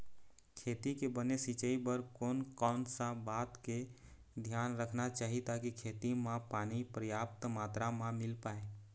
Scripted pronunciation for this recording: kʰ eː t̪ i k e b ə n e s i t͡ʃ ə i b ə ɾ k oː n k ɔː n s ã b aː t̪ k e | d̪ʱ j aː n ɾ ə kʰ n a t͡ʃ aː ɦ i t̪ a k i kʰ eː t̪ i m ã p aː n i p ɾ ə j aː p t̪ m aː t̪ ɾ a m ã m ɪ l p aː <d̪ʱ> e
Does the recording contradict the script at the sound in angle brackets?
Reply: yes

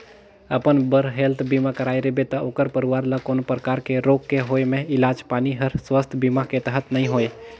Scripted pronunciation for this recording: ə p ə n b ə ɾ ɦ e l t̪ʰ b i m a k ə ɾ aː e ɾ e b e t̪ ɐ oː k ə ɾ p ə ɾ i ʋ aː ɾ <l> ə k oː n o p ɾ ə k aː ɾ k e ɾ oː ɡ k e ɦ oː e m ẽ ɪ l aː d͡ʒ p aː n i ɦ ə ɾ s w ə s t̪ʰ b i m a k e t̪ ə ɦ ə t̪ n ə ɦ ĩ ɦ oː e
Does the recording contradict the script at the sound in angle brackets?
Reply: no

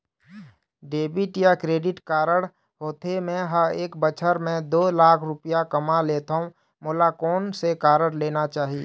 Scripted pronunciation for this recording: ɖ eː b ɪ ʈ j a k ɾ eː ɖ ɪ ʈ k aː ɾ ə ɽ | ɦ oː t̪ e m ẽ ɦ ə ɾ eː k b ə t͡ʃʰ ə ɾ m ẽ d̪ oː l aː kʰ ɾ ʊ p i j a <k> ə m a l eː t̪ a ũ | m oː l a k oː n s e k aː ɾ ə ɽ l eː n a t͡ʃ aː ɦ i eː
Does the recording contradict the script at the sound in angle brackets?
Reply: no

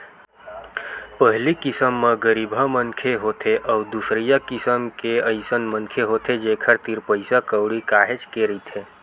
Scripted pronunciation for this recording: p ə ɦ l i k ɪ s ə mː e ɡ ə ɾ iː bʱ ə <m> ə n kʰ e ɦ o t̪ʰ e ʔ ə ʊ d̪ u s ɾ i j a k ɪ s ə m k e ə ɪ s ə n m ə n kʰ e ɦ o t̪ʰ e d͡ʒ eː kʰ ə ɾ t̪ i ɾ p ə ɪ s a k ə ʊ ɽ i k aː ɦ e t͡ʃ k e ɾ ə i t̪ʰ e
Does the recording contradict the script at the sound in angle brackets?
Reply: no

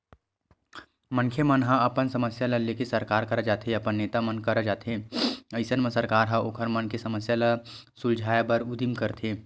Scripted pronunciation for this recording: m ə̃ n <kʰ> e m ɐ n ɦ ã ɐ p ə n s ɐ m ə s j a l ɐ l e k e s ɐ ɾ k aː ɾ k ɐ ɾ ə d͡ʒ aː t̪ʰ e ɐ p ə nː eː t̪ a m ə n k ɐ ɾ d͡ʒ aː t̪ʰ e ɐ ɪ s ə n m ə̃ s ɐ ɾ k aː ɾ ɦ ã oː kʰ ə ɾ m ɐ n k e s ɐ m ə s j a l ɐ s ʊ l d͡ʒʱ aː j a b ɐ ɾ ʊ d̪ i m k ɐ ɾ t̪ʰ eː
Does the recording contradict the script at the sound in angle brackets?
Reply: no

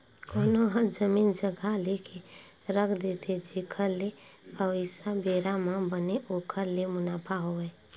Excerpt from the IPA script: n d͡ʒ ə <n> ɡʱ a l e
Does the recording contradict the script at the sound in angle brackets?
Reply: yes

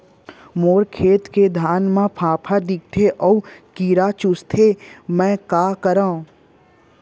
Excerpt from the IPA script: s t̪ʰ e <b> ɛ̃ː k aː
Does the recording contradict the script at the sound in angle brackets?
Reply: yes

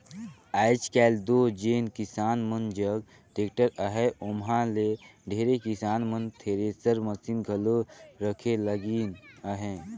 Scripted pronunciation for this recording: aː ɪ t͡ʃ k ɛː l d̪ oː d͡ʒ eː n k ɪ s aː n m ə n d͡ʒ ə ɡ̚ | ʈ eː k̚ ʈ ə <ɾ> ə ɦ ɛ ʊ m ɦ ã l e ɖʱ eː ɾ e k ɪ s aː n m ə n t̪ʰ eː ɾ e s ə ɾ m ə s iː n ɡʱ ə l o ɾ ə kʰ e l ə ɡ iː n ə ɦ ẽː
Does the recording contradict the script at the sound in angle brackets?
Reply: no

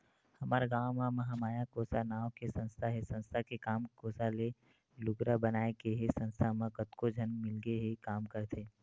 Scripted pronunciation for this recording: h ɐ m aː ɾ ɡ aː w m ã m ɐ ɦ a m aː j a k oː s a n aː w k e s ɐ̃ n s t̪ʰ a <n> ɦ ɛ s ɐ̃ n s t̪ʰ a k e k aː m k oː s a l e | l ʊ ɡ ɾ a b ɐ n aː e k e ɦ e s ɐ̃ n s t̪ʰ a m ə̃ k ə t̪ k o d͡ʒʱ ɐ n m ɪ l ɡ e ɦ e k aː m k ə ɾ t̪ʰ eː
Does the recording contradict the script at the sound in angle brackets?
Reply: yes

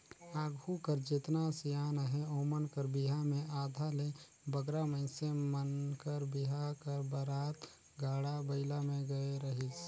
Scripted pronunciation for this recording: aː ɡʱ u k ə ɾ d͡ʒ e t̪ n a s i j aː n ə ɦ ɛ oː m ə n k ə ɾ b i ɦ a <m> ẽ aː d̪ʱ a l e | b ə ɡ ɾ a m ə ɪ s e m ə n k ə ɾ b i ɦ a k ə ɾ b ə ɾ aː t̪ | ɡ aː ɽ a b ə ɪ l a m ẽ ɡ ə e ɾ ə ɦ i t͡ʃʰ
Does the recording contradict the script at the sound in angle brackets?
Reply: no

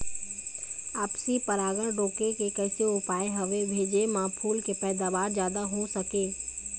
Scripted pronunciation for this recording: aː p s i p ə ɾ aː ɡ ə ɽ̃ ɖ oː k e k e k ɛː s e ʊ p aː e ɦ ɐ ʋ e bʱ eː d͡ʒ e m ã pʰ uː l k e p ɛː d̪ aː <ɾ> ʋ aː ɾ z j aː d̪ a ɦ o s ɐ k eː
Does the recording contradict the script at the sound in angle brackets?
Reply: yes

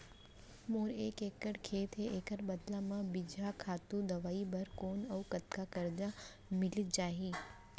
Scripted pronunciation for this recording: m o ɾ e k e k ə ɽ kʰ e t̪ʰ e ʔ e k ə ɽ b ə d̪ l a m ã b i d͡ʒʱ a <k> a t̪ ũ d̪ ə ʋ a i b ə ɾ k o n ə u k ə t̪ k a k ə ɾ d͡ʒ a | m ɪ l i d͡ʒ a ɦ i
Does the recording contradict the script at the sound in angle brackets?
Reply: yes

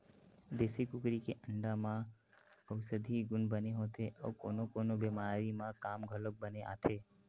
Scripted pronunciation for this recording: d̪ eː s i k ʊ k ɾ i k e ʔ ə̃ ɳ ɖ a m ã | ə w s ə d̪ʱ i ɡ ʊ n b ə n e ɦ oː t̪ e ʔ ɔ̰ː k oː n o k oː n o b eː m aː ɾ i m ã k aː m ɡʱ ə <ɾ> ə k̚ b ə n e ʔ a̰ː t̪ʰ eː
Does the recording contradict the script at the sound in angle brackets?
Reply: yes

